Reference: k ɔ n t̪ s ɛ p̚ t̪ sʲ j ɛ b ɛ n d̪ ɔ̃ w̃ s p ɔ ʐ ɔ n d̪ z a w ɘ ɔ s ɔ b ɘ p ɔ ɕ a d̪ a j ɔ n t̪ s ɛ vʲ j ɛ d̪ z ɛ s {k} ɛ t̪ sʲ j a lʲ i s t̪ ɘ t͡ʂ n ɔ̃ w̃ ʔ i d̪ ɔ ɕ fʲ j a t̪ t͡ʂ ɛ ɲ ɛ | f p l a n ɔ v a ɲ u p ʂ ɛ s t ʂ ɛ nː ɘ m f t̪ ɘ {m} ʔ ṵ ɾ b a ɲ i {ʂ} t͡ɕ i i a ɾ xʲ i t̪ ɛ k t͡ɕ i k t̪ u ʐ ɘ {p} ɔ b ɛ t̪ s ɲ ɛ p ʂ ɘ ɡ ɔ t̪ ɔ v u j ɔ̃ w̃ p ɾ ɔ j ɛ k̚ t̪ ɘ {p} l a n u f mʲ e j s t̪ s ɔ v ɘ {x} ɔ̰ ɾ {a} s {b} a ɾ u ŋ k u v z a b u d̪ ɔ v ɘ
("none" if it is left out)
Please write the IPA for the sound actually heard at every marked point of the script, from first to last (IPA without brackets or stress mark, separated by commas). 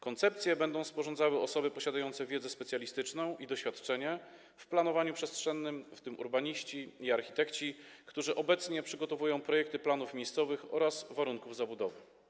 p, m, ɕ, ʔ, p, x, a, v